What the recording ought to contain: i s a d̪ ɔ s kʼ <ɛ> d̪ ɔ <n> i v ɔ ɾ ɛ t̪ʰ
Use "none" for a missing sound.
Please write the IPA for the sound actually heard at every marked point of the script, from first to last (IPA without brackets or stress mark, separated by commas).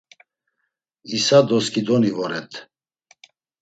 i, n